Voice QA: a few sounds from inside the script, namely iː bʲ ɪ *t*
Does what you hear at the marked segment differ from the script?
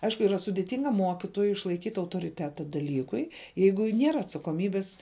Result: yes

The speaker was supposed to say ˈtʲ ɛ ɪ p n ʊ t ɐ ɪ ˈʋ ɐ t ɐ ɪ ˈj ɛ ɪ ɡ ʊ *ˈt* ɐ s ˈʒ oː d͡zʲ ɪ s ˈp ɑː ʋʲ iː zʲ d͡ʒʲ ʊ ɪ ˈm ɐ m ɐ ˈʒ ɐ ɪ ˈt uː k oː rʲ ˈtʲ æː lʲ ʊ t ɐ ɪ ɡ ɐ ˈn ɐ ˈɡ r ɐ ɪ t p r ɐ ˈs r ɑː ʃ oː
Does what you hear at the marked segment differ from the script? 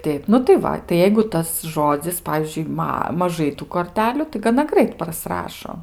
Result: no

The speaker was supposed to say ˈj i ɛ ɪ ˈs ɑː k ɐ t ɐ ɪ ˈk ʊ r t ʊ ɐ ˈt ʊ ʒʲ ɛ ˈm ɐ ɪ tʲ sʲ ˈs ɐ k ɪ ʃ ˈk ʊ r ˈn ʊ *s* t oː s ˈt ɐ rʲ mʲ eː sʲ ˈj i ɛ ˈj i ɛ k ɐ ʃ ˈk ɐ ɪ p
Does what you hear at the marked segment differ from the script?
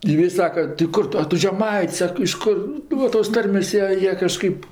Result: yes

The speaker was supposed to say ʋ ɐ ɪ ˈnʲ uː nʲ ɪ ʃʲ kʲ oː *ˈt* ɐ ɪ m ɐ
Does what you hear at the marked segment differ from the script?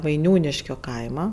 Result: yes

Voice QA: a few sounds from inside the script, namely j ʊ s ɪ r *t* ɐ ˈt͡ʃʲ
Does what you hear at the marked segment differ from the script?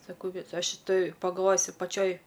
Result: yes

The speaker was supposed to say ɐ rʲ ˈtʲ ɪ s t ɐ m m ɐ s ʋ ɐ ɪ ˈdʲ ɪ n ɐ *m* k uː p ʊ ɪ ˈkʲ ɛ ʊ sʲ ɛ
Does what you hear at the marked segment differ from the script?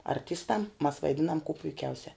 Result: no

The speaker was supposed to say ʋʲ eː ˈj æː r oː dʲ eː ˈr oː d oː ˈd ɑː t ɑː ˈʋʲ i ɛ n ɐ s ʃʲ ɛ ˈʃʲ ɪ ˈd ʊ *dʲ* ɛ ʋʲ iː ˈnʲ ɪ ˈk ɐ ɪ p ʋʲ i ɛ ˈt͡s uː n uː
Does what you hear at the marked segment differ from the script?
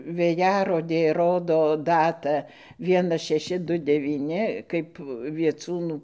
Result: no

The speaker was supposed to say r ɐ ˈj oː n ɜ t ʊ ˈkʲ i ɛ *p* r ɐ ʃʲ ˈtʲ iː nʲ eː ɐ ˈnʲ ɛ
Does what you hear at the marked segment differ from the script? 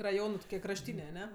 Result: yes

